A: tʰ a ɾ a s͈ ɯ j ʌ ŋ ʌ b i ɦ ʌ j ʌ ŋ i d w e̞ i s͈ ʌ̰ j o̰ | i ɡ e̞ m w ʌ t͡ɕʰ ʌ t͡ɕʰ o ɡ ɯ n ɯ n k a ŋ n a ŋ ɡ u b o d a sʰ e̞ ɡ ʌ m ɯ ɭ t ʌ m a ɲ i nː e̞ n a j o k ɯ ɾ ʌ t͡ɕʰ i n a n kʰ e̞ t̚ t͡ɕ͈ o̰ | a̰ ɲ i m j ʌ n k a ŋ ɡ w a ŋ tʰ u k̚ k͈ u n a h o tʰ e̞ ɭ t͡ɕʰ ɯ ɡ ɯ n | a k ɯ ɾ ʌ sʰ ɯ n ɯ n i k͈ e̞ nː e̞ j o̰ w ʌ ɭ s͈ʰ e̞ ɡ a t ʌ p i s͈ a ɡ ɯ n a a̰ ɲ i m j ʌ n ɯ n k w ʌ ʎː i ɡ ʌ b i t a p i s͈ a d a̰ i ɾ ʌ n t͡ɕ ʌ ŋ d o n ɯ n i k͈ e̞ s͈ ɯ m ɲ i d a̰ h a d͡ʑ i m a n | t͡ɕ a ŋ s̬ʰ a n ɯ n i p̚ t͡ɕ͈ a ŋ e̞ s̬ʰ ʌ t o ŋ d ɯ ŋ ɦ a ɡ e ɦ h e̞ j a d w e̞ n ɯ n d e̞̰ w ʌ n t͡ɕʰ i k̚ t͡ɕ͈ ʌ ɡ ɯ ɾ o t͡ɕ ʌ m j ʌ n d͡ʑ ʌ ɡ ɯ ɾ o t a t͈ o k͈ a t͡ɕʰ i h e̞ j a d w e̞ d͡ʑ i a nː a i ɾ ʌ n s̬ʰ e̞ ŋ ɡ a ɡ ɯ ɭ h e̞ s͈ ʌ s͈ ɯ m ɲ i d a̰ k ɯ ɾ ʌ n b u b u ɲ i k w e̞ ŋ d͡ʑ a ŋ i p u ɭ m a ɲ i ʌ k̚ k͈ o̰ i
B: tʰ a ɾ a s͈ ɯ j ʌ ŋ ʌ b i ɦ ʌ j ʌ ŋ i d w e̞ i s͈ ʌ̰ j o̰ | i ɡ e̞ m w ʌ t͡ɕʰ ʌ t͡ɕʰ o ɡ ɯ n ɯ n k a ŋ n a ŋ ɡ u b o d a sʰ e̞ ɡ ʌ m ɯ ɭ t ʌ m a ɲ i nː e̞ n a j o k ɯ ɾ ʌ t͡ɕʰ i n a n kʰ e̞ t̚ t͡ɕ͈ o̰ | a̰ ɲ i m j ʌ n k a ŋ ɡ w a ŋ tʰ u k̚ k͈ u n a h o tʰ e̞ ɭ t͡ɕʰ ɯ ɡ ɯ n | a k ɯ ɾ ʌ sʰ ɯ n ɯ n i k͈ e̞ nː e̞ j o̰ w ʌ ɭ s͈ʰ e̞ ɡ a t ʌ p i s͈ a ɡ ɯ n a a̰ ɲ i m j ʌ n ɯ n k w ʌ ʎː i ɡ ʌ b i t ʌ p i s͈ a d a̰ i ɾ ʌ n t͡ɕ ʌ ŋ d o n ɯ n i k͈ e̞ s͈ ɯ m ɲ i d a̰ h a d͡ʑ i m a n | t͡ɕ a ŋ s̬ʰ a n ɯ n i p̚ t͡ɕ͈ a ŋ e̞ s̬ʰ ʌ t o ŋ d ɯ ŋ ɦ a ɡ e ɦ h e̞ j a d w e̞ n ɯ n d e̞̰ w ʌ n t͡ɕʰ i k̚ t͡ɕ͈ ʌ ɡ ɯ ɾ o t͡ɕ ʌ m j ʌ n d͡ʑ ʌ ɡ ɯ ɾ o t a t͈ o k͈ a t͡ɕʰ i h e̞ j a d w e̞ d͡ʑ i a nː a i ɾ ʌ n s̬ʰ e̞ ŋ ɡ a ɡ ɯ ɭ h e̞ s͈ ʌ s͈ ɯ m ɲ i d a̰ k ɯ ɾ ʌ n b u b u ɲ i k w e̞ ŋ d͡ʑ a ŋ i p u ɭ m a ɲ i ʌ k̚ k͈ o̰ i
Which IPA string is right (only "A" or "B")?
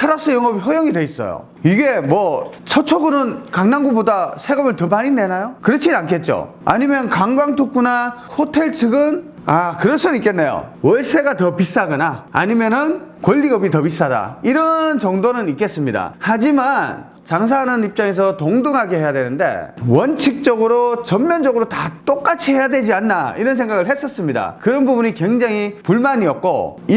B